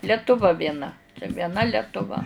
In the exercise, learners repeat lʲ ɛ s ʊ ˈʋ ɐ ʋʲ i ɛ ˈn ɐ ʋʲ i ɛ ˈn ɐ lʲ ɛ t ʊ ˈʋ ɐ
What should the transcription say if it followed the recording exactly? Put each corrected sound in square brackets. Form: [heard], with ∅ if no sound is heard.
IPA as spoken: lʲ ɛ [t] ʊ ˈʋ ɐ ʋʲ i ɛ ˈn ɐ ʋʲ i ɛ ˈn ɐ lʲ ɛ t ʊ ˈʋ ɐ

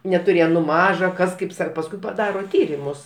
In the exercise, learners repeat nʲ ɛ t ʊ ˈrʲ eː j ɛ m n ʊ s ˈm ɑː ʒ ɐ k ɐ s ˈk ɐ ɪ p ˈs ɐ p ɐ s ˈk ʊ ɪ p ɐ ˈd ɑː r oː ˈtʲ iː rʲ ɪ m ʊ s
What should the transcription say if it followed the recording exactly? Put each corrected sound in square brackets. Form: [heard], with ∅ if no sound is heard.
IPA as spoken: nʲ ɛ t ʊ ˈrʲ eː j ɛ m n ʊ [∅] ˈm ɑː ʒ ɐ k ɐ s ˈk ɐ ɪ p ˈs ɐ p ɐ s ˈk ʊ ɪ p ɐ ˈd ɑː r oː ˈtʲ iː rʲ ɪ m ʊ s

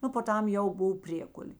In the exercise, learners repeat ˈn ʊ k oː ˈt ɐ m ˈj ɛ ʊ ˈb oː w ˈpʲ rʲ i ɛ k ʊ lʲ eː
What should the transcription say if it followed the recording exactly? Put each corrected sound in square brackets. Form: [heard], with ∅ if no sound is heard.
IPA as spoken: ˈn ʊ [p] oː ˈt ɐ m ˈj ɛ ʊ ˈb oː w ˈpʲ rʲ i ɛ k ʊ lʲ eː

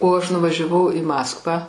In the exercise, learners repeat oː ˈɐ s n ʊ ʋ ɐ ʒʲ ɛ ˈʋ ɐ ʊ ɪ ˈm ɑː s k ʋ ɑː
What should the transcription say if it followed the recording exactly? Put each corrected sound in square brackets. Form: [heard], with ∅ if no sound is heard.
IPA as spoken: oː ˈɐ [ʃ] n ʊ ʋ ɐ ʒʲ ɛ ˈʋ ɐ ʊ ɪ ˈm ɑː s k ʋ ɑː

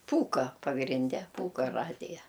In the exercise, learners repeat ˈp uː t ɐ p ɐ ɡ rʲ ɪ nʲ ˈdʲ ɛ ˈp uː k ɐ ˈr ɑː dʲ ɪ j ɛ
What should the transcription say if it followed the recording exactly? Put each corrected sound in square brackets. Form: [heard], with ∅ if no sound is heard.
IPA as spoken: ˈp uː [k] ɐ p ɐ ɡ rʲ ɪ nʲ ˈdʲ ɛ ˈp uː k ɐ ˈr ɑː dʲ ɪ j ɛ

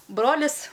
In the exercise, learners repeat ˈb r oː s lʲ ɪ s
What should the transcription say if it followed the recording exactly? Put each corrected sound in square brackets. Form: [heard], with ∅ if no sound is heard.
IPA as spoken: ˈb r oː [∅] lʲ ɪ s

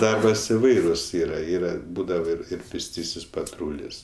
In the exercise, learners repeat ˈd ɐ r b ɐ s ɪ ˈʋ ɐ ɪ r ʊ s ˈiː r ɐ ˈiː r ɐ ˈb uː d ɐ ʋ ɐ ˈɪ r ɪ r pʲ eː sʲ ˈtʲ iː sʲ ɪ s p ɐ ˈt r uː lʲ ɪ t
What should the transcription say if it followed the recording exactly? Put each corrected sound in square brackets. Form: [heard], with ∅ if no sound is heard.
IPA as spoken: ˈd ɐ r b ɐ s ɪ ˈʋ ɐ ɪ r ʊ s ˈiː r ɐ ˈiː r ɐ ˈb uː d ɐ ʋ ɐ ˈɪ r ɪ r pʲ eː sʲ ˈtʲ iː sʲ ɪ s p ɐ ˈt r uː lʲ ɪ [s]

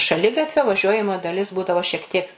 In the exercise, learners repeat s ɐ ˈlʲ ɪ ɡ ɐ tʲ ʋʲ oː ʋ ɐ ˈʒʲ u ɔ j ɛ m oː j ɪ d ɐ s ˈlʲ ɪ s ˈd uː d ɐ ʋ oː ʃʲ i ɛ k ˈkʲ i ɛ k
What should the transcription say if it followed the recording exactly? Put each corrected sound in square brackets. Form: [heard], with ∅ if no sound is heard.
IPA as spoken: [ʃ] ɐ ˈlʲ ɪ ɡ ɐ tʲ ʋʲ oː ʋ ɐ ˈʒʲ u ɔ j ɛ m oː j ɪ d ɐ [∅] ˈlʲ ɪ s [ˈb] uː d ɐ ʋ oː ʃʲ i ɛ k [ˈtʲ] i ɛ k

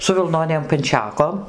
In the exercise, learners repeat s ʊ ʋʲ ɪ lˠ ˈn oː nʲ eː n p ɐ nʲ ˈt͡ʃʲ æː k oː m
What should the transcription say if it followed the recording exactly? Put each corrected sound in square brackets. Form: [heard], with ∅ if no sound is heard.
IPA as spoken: s ʊ ʋʲ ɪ lˠ ˈn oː nʲ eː [m] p ɐ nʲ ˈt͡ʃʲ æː k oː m

